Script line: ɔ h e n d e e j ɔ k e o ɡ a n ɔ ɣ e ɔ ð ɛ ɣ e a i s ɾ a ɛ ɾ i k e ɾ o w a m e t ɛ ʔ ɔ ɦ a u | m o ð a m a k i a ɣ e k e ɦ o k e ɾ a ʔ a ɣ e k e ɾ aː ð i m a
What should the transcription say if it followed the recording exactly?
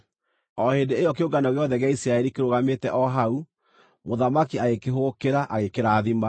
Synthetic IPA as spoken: ɔ h e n d e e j ɔ k e o ɡ a n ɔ ɣ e ɔ ð ɛ ɣ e a i s ɾ a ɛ ɾ i k e ɾ o ɣ a m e t ɛ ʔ ɔ ɦ a u | m o ð a m a k i a ɣ e k e ɦ o k e ɾ a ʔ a ɣ e k e ɾ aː ð i m a